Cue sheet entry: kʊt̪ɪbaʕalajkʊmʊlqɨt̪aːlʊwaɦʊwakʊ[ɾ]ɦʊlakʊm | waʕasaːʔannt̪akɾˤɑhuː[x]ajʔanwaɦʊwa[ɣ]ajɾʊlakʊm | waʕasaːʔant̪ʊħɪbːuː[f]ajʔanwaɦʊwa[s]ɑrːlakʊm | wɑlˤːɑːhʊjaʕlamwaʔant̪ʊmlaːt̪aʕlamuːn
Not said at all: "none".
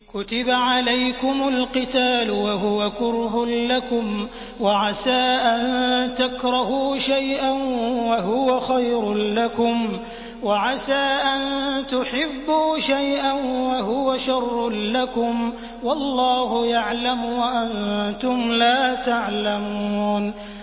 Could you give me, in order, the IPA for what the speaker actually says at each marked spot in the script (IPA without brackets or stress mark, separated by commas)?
ɾ, ʃ, x, ʃ, ʃ